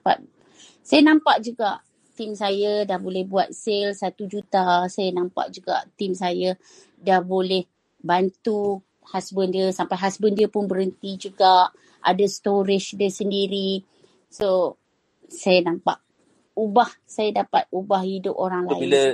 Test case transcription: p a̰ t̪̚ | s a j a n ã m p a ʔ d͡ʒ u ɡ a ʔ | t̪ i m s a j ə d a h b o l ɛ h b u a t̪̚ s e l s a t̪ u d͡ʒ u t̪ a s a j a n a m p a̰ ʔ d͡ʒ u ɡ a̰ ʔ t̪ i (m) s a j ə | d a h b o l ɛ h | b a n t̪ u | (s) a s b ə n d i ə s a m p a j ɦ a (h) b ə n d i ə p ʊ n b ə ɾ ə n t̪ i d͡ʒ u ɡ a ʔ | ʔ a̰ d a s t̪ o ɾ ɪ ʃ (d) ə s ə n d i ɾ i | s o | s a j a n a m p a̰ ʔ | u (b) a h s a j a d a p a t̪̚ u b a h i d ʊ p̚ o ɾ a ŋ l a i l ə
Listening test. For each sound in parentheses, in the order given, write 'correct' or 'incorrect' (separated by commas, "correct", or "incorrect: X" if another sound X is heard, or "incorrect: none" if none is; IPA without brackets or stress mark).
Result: correct, incorrect: h, incorrect: s, correct, correct